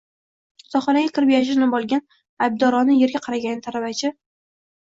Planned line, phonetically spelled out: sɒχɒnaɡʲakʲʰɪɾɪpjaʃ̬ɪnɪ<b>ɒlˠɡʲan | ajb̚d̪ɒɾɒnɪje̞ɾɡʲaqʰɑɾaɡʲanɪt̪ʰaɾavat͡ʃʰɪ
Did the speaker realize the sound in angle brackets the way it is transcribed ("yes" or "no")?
yes